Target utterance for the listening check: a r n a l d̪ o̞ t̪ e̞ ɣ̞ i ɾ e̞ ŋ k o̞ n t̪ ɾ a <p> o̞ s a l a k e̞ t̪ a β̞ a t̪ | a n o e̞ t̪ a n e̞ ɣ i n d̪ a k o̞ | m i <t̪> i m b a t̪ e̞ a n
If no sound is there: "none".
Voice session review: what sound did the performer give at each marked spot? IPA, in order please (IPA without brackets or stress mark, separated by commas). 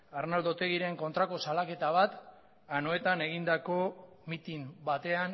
k, t̪